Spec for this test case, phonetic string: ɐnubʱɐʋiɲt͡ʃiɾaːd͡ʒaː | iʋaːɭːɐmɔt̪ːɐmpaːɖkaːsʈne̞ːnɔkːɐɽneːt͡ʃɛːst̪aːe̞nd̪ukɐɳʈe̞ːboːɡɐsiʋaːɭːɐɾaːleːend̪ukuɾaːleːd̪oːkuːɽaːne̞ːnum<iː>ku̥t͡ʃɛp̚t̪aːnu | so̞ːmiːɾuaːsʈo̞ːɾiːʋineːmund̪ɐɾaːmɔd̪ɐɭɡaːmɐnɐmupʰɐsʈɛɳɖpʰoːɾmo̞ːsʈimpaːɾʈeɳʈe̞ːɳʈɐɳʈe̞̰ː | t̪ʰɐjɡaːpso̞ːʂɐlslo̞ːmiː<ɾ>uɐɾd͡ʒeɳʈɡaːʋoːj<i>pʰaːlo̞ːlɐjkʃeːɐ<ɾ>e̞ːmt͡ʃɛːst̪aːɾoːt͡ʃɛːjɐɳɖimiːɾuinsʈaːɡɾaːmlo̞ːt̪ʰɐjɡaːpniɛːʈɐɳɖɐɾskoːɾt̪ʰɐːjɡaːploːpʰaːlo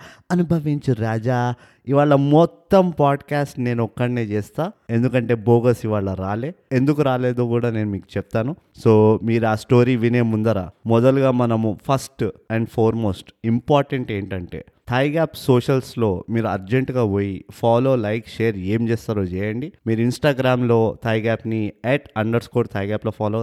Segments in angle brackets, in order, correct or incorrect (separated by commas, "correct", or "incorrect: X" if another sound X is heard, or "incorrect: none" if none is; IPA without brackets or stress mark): correct, correct, correct, correct